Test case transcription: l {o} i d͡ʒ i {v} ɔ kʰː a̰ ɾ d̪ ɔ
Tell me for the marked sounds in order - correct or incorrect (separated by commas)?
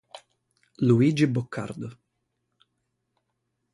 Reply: incorrect, incorrect